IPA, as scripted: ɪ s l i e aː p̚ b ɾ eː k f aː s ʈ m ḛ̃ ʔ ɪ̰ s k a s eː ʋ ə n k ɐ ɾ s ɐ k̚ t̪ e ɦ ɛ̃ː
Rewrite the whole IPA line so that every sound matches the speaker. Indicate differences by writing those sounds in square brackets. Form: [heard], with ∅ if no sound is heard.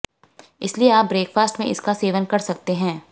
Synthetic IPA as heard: ɪ s l i e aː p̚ b ɾ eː k f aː s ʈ m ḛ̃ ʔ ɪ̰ s k a s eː ʋ ə n k ɐ ɾ s ɐ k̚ t̪ e ɦ ɛ̃ː

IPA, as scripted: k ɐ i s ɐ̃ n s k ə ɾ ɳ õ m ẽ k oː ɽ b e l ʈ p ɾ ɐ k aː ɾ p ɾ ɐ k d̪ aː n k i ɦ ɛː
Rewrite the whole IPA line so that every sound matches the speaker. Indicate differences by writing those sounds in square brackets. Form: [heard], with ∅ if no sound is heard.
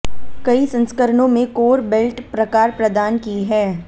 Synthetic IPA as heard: k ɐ i s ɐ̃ n s k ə ɾ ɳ õ m ẽ k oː [ɾ] b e l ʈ p ɾ ɐ k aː ɾ p ɾ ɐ [∅] d̪ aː n k i ɦ ɛː

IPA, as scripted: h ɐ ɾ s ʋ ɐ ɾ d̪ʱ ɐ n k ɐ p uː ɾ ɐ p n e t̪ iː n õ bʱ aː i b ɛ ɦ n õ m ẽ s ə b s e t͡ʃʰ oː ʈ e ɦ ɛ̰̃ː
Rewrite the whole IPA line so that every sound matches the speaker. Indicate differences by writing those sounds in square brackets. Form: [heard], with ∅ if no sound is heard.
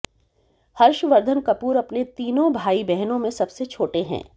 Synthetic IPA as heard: h ɐ ɾ [ʃ] ʋ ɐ ɾ d̪ʱ [ə] n k ɐ p uː ɾ ɐ p n e t̪ iː n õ bʱ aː i b ɛ ɦ n õ m ẽ s [ɐ] b s e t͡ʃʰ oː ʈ e ɦ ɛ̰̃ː

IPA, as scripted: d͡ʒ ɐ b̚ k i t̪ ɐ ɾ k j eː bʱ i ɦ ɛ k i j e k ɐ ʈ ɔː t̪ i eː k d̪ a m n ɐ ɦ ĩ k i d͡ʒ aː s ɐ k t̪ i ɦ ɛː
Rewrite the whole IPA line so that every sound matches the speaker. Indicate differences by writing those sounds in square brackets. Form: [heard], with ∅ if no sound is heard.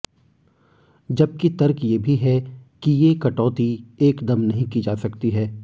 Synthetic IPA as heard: d͡ʒ ɐ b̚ k i t̪ ɐ ɾ k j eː bʱ i ɦ ɛ k i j e k ɐ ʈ ɔː t̪ i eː k d̪ [ɐ] m n ɐ ɦ ĩ k i d͡ʒ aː s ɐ k t̪ i ɦ ɛː

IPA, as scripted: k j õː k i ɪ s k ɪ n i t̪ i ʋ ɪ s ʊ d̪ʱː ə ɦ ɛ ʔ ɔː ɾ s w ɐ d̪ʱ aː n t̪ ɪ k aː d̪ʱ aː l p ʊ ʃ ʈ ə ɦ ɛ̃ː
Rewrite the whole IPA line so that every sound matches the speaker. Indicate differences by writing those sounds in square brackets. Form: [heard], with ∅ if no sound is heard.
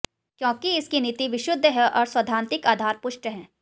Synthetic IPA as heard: k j õː k i ɪ s k [i] n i t̪ i ʋ ɪ [ʃ] ʊ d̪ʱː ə ɦ ɛ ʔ ɔː ɾ s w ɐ d̪ʱ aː n t̪ ɪ k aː d̪ʱ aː [ɾ] p ʊ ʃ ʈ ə ɦ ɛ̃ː

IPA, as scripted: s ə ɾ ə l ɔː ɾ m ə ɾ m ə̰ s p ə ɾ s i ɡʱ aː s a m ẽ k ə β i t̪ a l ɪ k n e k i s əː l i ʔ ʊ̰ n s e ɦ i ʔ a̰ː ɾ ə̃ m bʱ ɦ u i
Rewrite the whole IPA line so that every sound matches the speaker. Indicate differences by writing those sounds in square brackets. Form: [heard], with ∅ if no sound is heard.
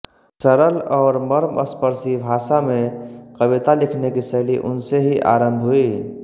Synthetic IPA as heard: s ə ɾ ə l ɔː ɾ m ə ɾ m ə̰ s p ə ɾ s i [bʱ] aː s a m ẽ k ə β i t̪ a l ɪ [kʰ] n e k i s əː l i ʔ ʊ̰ n s e ɦ i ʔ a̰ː ɾ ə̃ m bʱ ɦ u i

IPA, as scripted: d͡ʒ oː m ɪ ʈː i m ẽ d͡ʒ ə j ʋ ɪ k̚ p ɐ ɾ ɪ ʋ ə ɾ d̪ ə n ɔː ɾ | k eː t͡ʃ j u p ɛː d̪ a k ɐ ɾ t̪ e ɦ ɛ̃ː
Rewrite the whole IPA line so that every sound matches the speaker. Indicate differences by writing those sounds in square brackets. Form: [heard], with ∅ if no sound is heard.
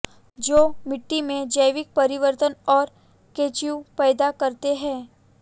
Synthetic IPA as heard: d͡ʒ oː m ɪ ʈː i m ẽ d͡ʒ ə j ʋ ɪ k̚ p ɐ ɾ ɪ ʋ ə ɾ [t̪] ə n ɔː ɾ | k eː t͡ʃ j u p ɛː d̪ a k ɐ ɾ t̪ e ɦ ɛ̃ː

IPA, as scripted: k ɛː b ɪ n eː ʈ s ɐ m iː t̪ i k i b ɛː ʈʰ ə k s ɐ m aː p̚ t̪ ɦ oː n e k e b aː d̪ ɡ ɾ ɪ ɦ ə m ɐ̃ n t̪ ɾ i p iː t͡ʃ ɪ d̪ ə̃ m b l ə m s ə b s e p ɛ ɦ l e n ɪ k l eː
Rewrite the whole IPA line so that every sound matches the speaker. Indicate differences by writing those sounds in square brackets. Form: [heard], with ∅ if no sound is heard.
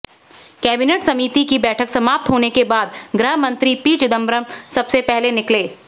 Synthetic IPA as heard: k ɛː b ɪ n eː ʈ s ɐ m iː t̪ i k i b ɛː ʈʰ ə k s ɐ m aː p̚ t̪ ɦ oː n e k e b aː d̪ ɡ ɾ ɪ ɦ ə m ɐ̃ n t̪ ɾ i p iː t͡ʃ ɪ d̪ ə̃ m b [ɾ] ə m s [ɐ] b s e p ɛ ɦ l e n ɪ k l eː

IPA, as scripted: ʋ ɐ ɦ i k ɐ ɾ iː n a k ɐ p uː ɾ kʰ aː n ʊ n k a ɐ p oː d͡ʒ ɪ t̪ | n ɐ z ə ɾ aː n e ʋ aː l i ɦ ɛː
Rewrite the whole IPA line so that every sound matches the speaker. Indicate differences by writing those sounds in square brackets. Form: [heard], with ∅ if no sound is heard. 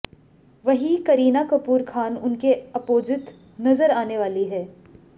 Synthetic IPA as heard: ʋ ɐ ɦ i k ɐ ɾ iː n a k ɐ p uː ɾ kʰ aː n ʊ n k [e] ɐ p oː d͡ʒ ɪ t̪ | n ɐ z ə ɾ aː n e ʋ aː l i ɦ ɛː

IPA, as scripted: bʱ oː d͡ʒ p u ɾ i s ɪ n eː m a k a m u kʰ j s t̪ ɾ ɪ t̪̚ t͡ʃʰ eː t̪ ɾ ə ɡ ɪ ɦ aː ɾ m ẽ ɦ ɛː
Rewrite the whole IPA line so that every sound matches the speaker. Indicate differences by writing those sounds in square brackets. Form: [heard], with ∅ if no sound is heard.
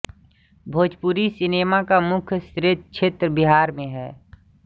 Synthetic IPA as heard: bʱ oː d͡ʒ p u ɾ i s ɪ n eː m a k a m [ʊ] kʰ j s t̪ ɾ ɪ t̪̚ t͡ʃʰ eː t̪ ɾ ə [b] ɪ ɦ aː ɾ m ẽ ɦ ɛː

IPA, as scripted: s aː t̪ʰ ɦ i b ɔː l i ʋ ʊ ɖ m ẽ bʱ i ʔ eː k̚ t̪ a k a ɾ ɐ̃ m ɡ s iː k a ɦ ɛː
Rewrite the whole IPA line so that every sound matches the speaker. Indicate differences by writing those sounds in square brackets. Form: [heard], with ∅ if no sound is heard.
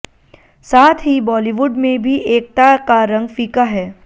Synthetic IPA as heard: s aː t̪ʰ ɦ i b ɔː l i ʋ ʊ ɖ m ẽ bʱ i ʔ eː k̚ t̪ a k a ɾ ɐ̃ [ŋ] ɡ [f] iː k a ɦ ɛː

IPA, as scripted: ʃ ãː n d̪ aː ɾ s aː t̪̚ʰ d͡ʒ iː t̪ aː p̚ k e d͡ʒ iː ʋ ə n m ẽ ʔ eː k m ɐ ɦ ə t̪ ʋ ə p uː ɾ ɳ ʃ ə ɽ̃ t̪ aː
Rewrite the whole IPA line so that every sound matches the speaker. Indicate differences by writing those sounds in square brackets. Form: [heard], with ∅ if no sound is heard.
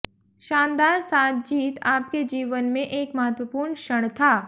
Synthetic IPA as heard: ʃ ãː n d̪ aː ɾ s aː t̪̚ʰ d͡ʒ iː t̪ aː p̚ k e d͡ʒ iː ʋ ə n m ẽ ʔ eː k m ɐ ɦ ə t̪ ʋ ə p uː ɾ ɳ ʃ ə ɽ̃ [t̪ʰ] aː

